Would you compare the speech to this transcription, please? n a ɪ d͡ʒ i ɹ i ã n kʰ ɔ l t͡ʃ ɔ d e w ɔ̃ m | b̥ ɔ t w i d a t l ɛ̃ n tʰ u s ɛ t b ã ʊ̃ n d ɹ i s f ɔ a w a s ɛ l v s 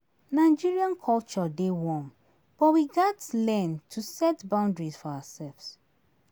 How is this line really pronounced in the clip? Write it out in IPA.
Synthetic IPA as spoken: n a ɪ d͡ʒ i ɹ i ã n kʰ ɔ l t͡ʃ ɔ d e w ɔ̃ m | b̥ ɔ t w i ɡ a t l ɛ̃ n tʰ u s ɛ t b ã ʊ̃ n d ɹ i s f ɔ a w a s ɛ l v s